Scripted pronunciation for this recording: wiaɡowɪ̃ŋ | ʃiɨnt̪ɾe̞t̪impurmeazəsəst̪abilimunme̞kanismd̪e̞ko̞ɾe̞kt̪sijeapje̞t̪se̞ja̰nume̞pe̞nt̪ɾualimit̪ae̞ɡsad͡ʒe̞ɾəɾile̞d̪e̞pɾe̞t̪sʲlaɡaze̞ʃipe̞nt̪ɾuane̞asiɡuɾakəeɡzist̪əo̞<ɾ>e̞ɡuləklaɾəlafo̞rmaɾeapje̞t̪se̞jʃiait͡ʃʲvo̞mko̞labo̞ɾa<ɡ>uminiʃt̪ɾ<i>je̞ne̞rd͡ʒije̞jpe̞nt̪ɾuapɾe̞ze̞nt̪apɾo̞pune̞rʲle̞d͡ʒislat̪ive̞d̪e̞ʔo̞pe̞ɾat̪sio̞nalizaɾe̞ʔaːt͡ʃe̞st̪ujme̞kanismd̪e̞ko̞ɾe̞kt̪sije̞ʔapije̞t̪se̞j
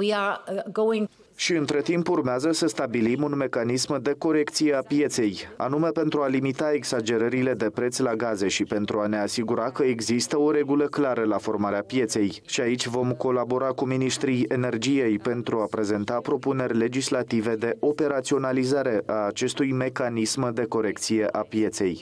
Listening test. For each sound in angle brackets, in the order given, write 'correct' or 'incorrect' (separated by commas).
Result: correct, incorrect, correct